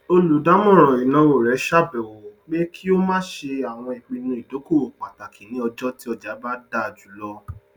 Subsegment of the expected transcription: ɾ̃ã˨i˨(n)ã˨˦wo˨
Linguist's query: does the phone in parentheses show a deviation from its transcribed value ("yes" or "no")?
no